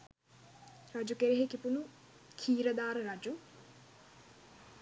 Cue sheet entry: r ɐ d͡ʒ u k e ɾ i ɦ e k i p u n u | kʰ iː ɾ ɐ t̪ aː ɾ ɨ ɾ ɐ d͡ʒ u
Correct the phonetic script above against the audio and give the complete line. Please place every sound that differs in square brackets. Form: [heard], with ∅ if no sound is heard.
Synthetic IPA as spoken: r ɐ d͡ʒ u k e ɾ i ɦ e k i p u n u | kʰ iː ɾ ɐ [d̪] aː ɾ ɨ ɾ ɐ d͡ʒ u